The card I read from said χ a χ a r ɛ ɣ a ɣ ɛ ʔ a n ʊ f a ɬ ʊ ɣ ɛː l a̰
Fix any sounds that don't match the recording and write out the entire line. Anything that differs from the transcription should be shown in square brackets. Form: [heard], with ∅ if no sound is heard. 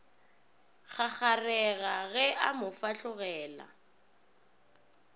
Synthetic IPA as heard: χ a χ a r ɛ ɣ a ɣ ɛ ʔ a [m] ʊ f a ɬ ʊ ɣ ɛː l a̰